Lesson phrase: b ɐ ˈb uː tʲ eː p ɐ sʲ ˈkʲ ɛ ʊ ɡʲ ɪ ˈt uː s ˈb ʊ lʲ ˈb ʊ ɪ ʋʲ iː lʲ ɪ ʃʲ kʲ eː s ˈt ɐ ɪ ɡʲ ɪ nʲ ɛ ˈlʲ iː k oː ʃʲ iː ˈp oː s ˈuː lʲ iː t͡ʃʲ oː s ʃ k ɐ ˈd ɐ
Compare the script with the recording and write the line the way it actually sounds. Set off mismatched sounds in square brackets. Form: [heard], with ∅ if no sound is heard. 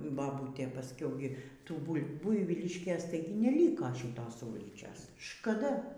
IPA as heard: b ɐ ˈb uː tʲ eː p ɐ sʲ ˈkʲ ɛ ʊ ɡʲ ɪ ˈt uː [∅] ˈb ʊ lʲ ˈb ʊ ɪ ʋʲ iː lʲ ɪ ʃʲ kʲ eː s ˈt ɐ ɪ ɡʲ ɪ nʲ ɛ ˈlʲ iː k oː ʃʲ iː [ˈt] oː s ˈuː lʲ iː t͡ʃʲ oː s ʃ k ɐ ˈd ɐ